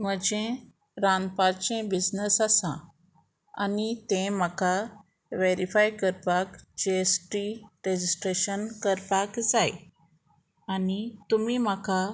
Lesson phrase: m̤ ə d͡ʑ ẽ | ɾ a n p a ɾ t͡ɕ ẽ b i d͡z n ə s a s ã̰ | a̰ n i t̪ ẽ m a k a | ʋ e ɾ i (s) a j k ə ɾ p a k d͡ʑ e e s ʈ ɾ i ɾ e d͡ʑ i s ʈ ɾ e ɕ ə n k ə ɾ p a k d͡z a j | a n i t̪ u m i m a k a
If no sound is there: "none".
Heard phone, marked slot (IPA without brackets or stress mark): f